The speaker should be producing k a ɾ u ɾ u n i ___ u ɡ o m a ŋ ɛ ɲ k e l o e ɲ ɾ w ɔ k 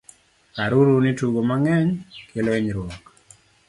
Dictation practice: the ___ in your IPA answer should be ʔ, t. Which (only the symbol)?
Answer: t